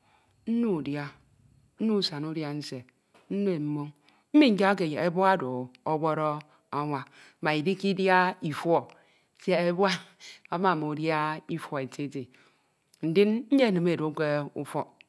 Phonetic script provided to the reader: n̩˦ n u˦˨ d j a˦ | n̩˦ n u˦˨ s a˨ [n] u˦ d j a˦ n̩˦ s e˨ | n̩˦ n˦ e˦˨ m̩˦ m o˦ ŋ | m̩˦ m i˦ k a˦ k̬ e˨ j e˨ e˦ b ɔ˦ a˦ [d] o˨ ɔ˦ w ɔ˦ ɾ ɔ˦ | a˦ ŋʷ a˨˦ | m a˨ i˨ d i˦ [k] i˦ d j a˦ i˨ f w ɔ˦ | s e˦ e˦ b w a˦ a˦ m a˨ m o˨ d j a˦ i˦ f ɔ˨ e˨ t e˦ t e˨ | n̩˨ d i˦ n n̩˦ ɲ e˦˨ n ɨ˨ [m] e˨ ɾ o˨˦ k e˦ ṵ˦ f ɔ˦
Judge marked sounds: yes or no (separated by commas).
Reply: yes, yes, yes, yes